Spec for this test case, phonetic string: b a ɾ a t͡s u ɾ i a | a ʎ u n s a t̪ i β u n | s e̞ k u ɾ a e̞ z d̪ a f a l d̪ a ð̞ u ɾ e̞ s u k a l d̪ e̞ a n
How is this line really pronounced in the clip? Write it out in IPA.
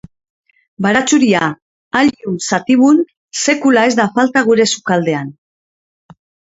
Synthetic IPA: b a ɾ a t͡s u ɾ i a | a ʎ u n s a t̪ i β u n | s e̞ k u l a e̞ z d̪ a f a l t̪ a ɣ̞ u ɾ e̞ s u k a l d̪ e̞ a n